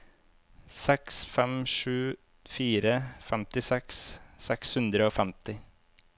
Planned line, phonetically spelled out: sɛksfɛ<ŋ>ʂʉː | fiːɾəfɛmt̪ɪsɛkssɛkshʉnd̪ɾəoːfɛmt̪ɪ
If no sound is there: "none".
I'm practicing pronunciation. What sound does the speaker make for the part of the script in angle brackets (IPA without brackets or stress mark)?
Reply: m